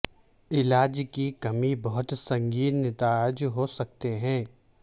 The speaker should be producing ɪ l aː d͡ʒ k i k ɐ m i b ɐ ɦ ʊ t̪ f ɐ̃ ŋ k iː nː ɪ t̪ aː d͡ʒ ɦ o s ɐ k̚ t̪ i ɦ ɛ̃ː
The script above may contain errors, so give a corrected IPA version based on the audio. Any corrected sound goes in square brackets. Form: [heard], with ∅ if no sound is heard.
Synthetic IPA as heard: ɪ l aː d͡ʒ k i k ɐ m i b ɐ ɦ ʊ t̪ [s] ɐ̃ ŋ [ɡ] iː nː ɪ t̪ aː d͡ʒ ɦ o s ɐ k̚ t̪ [e] ɦ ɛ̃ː